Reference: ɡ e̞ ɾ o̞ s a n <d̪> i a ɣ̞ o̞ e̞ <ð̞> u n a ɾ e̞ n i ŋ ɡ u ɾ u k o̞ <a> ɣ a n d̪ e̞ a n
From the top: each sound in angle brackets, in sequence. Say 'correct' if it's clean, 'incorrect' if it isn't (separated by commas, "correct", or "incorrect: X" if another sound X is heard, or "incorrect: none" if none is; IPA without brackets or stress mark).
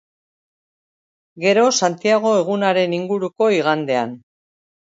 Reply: incorrect: t̪, incorrect: ɣ̞, incorrect: i